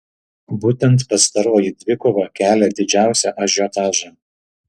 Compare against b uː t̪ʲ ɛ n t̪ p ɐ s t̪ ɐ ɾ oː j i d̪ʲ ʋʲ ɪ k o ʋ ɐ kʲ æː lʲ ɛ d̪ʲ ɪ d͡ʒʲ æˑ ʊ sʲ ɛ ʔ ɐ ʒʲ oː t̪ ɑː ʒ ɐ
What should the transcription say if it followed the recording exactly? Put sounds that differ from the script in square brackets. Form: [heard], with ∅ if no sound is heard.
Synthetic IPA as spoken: b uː t̪ʲ ɛ n t̪ p ɐ s t̪ ɐ ɾ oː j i d̪ʲ ʋʲ ɪ k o ʋ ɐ kʲ æː lʲ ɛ d̪ʲ ɪ d͡ʒʲ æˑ ʊ sʲ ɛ ʔ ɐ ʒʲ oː t̪ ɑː ʒ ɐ